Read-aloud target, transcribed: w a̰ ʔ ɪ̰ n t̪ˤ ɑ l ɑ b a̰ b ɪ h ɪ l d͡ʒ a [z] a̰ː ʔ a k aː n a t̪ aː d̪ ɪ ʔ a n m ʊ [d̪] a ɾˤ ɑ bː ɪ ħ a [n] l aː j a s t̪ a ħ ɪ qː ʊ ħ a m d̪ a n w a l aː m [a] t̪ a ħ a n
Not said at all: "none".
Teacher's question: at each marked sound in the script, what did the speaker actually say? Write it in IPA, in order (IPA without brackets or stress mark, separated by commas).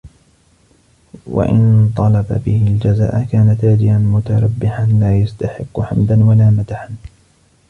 z, t̪, n, a